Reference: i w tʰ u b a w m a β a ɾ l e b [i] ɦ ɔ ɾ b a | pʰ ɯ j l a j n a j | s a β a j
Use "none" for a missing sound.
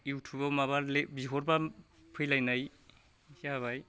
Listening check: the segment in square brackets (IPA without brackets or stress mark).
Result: i